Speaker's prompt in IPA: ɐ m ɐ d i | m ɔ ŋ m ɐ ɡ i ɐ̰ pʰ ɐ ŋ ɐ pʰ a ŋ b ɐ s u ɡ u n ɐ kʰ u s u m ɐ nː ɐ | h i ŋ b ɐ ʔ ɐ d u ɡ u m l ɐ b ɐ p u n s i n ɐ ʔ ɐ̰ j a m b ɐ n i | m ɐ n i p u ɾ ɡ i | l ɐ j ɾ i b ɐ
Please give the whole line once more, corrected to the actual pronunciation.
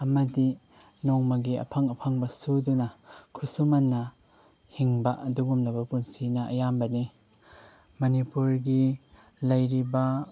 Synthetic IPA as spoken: ɐ m ɐ d i | n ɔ ŋ m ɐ ɡ i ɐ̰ pʰ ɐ ŋ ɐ pʰ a ŋ b ɐ s u d u n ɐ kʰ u s u m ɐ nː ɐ | h i ŋ b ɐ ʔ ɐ d u ɡ u m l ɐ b ɐ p u n s i n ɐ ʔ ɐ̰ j a m b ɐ n i | m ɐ n i p u ɾ ɡ i | l ɐ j ɾ i b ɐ